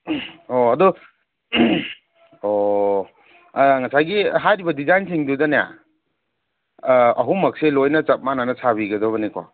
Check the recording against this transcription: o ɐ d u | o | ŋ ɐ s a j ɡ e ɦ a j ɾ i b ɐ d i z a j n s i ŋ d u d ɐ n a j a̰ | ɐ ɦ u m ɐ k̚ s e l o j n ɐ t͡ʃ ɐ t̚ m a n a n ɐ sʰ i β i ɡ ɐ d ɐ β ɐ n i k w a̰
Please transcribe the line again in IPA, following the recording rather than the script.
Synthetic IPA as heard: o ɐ d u | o | ŋ ɐ s a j ɡ i ɦ a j ɾ i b ɐ d i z a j n s i ŋ d u d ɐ n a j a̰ | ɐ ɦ u m ɐ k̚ s e l o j n ɐ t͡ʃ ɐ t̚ m a n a n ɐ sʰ a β i ɡ ɐ d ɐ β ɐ n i k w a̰